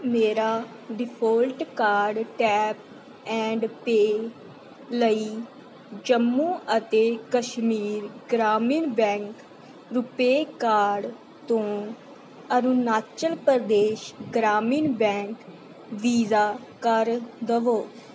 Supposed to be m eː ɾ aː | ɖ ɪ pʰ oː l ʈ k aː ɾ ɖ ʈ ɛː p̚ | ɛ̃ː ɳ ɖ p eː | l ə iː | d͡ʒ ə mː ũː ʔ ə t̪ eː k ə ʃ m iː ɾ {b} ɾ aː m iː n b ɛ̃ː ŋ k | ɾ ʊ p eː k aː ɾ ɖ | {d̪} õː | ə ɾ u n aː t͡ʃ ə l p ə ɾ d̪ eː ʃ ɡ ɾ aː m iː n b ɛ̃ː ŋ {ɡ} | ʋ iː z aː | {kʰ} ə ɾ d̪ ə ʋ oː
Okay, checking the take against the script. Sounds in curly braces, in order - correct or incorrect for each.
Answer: incorrect: ɡ, incorrect: t̪, incorrect: k, incorrect: k

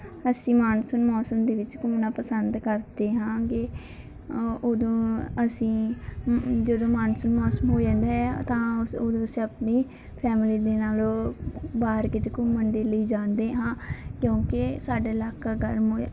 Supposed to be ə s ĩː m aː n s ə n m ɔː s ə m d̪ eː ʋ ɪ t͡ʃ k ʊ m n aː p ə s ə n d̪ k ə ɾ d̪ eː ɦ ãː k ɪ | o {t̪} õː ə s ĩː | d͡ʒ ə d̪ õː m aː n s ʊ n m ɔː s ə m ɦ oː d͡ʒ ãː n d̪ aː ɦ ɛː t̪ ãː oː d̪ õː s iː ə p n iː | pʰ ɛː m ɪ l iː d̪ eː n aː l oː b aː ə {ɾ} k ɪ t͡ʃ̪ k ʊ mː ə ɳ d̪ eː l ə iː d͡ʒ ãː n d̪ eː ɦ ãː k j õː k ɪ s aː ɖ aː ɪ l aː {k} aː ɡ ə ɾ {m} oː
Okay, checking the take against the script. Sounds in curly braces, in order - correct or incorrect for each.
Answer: incorrect: d̪, correct, correct, correct

